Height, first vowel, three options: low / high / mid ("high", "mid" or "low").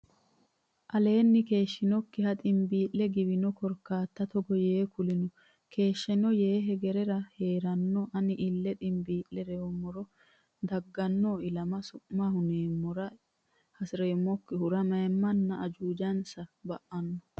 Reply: low